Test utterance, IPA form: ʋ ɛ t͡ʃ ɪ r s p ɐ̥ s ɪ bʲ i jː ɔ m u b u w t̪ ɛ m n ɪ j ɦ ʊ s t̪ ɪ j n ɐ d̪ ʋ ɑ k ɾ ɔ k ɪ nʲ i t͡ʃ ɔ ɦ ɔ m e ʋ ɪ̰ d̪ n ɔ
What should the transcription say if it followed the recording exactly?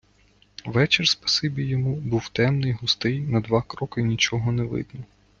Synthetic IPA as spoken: ʋ ɛ t͡ʃ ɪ r s p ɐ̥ s ɪ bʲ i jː ɔ m u b u w t̪ ɛ m n ɪ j ɦ ʊ s t̪ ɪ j n ɐ d̪ ʋ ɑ k ɾ ɔ k ɪ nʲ i t͡ʃ ɔ ɦ ɔ n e ʋ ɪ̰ d̪ n ɔ